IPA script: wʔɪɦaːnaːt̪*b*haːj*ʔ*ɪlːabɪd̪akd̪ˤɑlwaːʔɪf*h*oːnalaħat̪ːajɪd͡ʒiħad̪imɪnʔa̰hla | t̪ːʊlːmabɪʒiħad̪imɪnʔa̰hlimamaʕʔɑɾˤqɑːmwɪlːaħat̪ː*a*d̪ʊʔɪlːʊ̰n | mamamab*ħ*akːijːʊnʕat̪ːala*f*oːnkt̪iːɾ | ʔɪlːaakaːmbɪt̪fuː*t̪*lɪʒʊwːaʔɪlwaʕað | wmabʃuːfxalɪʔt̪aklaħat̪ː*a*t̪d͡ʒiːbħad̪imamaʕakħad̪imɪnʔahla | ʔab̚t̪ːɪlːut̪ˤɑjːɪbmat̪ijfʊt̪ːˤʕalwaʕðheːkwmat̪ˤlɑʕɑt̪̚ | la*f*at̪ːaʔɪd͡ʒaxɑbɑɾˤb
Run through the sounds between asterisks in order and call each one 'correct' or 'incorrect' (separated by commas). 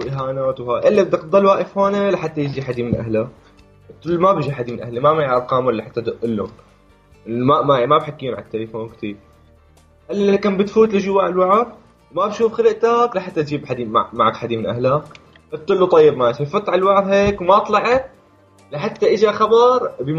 incorrect, correct, correct, correct, correct, correct, correct, correct, incorrect